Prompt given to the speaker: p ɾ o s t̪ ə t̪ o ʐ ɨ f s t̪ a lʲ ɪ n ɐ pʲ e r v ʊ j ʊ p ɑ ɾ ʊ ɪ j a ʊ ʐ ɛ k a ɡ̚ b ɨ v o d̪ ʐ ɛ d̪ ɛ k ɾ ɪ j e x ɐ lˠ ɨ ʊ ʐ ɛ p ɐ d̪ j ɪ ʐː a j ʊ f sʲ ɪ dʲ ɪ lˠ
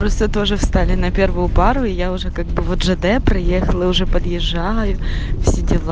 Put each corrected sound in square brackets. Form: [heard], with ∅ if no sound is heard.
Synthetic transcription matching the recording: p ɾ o s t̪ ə t̪ o ʐ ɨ f s t̪ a lʲ ɪ n ɐ pʲ e r v ʊ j ʊ p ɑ ɾ ʊ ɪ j a ʊ ʐ ɛ k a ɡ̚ b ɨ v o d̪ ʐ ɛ d̪ ɛ [p] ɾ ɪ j e x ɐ lˠ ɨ ʊ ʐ ɛ p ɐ d̪ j ɪ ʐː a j ʊ f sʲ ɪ dʲ ɪ lˠ